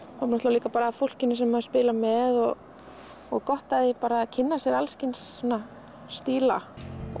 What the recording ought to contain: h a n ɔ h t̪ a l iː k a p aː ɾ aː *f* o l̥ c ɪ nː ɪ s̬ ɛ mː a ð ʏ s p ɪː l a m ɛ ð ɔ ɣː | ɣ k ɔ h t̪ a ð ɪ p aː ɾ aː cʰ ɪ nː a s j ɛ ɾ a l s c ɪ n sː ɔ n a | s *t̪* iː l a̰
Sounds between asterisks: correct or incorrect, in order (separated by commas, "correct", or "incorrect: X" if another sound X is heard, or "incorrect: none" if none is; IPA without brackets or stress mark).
correct, correct